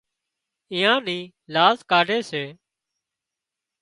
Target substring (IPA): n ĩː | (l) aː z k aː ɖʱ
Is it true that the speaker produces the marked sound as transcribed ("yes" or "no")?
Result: yes